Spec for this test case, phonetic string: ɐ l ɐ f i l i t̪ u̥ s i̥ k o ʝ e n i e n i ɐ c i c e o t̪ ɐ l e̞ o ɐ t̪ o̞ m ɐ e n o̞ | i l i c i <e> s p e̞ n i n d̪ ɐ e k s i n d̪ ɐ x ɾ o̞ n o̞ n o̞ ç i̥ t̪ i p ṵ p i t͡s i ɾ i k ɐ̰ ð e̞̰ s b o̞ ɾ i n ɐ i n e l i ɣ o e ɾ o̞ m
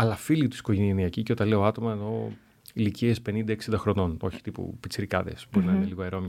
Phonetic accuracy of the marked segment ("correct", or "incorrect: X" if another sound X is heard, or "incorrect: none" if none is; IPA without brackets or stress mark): correct